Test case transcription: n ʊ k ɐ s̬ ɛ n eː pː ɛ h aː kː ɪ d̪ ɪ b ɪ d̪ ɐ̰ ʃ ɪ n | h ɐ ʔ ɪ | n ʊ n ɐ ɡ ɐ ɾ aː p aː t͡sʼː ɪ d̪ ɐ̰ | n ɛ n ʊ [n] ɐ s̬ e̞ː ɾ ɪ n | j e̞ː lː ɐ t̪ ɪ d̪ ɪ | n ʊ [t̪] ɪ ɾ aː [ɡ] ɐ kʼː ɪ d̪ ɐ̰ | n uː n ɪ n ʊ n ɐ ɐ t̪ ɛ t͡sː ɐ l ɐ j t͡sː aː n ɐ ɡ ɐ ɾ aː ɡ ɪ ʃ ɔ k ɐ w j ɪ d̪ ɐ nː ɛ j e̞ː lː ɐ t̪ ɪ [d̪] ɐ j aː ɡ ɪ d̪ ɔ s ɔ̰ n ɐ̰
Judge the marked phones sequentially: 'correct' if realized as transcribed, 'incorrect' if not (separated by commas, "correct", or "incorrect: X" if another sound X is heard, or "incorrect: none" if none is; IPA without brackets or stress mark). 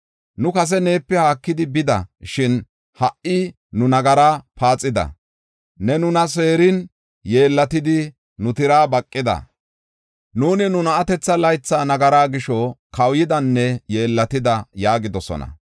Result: correct, correct, incorrect: b, correct